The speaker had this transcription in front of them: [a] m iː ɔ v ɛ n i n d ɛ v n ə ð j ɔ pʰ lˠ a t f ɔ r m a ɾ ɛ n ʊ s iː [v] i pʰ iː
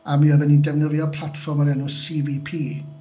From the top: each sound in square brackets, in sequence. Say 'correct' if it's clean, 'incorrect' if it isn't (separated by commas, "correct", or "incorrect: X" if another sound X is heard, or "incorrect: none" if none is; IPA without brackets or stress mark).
correct, correct